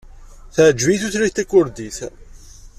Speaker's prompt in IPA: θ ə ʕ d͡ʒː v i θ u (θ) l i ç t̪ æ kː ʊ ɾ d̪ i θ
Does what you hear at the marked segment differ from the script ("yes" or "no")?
no